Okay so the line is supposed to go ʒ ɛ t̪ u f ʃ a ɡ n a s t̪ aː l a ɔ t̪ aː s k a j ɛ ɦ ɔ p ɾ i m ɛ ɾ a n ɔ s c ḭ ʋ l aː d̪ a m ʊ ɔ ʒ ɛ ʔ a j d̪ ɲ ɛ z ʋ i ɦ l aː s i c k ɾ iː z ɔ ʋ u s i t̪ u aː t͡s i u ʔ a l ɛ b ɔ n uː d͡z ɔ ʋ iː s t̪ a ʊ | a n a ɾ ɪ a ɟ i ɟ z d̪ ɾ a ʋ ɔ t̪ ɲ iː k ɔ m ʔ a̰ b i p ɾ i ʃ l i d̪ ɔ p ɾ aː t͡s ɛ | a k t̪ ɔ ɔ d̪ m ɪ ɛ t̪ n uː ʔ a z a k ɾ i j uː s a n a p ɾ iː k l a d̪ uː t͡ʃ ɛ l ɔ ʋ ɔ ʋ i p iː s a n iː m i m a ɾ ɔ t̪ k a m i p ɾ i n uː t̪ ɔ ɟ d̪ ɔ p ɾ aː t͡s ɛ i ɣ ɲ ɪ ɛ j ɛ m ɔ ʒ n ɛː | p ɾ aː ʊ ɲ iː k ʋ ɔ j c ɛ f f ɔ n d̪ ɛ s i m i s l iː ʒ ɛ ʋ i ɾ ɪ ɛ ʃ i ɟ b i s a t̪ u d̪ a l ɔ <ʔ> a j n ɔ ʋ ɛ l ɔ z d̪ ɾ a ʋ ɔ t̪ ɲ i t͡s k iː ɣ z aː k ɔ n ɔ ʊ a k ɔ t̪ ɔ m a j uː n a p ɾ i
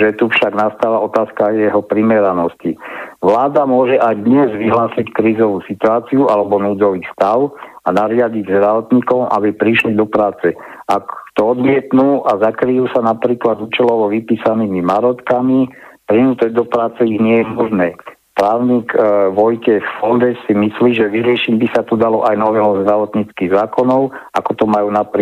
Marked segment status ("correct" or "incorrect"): correct